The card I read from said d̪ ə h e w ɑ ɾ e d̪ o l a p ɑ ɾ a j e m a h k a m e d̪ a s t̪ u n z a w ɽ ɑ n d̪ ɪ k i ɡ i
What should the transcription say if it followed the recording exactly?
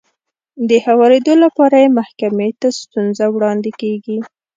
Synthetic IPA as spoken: d̪ ə h a w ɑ ɾ e d̪ o l a p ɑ ɾ a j e m a h k a m e t̪ a s t̪ u n z a w ɽ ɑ n d̪ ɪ k e ɡ i